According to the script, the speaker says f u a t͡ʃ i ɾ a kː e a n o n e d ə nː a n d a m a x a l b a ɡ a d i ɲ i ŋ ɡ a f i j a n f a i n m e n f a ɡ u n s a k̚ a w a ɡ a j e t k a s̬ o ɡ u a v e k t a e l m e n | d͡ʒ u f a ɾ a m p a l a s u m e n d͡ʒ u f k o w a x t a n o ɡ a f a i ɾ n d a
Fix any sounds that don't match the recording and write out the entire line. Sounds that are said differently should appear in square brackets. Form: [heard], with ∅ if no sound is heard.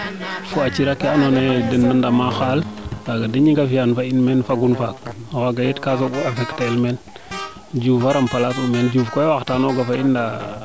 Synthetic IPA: f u a t͡ʃ i ɾ a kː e a n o n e d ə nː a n d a m a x a l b a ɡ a d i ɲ i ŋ ɡ a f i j a n f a i n m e n f a ɡ u n [f] a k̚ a w a ɡ a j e t k a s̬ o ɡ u a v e k t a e l m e n | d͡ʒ u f a ɾ a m p a l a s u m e n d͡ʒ u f k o w a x t a n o ɡ a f a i [∅] n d a

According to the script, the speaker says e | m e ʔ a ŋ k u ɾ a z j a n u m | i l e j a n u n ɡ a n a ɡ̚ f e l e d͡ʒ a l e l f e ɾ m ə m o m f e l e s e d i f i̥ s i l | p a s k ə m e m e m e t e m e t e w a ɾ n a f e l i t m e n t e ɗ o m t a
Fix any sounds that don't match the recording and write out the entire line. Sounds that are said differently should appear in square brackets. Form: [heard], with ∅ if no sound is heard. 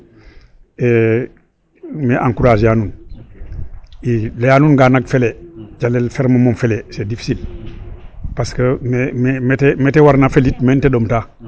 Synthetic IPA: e | m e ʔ a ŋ k u ɾ a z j a n u [n] | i l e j a n u n ɡ a n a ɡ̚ f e l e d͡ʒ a l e l f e ɾ m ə m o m f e l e s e d i f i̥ s i l | p a s k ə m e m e m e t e m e t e w a ɾ n a f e l i t m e n t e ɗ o m t a

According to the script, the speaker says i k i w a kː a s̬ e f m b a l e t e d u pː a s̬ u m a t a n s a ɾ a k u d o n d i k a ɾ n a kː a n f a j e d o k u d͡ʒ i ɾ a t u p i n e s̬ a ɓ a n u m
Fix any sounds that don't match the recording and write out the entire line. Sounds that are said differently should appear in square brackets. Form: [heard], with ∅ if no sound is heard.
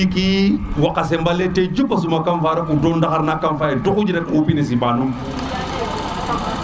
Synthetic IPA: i k i w a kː a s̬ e [∅] m b a l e t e [d͡ʒ] u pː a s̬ u m a [k] a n [f] a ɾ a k u d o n d [a] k a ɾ n a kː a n f a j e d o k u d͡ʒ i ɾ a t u p i n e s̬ [i] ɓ a n u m

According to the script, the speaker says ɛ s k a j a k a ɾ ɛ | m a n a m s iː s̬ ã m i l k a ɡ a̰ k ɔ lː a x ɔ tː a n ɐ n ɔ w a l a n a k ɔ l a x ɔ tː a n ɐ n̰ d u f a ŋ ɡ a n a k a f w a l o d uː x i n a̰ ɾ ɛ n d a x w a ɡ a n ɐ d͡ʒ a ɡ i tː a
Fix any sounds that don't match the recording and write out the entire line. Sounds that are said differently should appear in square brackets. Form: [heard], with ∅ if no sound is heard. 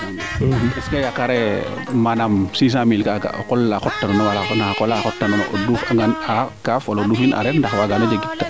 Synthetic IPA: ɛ s k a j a k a ɾ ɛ | m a n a m s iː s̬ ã m i l k a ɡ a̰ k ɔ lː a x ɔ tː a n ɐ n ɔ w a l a n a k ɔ l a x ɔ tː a n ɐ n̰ d u f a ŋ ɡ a n a k a f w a l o d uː [f] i n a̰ ɾ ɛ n d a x w a ɡ a n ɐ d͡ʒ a ɡ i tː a

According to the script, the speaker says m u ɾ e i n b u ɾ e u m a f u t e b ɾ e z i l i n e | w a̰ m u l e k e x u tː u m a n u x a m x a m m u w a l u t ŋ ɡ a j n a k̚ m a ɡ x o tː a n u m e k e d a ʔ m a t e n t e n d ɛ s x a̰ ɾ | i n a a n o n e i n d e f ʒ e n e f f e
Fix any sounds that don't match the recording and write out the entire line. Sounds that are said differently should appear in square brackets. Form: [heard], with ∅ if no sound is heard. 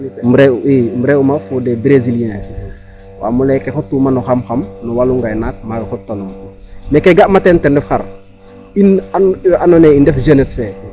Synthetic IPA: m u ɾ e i [m] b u ɾ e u m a f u [d] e b ɾ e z i l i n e | w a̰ m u l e k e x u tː u m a n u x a m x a m [n] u w a l u [∅] ŋ ɡ a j n a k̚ m a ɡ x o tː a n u m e k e [ɡ] a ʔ m a t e n t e n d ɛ [f] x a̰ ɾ | i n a a n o n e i n d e f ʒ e n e [s] f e

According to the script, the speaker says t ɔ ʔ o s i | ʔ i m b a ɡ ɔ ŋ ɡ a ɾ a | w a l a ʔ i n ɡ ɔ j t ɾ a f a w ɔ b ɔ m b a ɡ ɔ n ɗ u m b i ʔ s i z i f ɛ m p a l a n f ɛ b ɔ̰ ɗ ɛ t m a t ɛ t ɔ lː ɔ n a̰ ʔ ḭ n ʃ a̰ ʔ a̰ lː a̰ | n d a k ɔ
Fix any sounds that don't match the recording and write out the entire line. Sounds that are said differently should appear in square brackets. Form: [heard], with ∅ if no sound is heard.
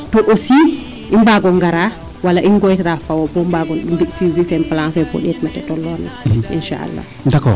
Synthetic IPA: t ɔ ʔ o s i | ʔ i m b a ɡ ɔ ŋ ɡ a ɾ a | w a l a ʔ i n ɡ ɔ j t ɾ a f a w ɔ b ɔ m b a ɡ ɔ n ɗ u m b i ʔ s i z i f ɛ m p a l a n f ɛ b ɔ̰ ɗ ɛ t m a t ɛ t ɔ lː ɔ n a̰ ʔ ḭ n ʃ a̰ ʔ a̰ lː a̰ | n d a k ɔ

